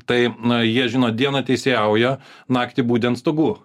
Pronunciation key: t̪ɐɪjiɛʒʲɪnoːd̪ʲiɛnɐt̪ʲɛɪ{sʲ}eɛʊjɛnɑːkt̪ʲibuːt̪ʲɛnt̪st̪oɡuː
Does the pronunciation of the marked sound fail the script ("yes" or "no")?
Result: no